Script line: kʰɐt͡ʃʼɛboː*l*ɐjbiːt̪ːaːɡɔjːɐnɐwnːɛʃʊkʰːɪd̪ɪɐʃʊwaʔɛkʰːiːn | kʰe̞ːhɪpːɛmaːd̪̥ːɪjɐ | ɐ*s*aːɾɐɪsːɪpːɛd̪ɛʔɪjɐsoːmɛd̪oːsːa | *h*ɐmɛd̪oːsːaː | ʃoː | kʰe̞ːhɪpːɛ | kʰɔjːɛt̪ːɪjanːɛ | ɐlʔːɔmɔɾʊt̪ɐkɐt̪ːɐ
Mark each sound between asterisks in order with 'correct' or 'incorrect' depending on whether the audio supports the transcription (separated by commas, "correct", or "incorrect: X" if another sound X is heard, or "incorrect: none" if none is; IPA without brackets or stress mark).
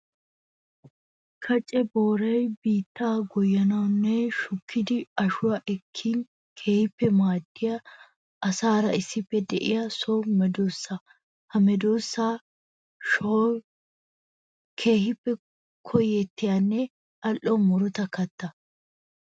incorrect: ɾ, correct, correct